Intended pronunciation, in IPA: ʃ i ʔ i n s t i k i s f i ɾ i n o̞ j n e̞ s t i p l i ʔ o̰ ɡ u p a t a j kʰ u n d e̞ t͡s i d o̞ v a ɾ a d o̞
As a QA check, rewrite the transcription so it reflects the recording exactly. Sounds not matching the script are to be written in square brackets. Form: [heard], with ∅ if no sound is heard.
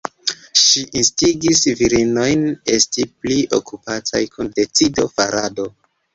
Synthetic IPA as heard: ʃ i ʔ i n s t i [ɡ] i s [v] i ɾ i n o̞ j n e̞ s t i p l i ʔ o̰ [k] u p a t a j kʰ u n d e̞ t͡s i d o̞ [f] a ɾ a d o̞